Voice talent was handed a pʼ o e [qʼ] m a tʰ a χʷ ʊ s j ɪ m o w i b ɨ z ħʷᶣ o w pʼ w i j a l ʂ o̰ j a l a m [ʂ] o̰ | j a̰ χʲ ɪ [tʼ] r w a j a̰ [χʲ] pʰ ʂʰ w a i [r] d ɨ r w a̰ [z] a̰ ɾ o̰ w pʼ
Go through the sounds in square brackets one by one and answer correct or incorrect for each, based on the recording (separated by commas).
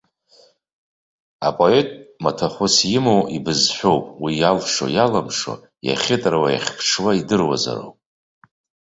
incorrect, correct, correct, correct, incorrect, correct